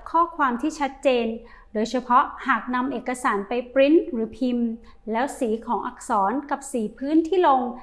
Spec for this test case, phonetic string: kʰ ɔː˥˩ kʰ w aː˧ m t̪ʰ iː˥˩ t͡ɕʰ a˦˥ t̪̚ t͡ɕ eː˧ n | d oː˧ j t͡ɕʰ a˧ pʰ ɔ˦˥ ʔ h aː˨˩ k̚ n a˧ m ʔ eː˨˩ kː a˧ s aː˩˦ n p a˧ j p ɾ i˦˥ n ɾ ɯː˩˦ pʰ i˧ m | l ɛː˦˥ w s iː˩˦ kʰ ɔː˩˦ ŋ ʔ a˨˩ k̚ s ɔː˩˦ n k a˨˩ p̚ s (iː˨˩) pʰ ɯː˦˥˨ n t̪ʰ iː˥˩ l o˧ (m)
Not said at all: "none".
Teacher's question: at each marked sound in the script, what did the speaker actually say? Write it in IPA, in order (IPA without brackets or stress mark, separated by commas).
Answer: iː˨˩, ŋ